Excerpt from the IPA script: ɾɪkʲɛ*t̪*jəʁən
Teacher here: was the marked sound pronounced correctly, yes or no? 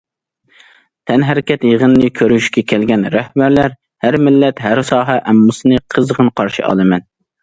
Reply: yes